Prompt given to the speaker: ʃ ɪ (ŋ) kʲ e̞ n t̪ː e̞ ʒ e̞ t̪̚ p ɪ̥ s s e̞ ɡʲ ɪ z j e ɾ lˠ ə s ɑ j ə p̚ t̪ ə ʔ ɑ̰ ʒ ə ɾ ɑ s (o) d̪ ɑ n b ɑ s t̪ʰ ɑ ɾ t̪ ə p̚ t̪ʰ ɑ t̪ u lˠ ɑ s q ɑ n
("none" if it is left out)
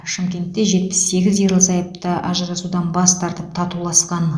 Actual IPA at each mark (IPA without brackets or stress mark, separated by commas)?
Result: m, u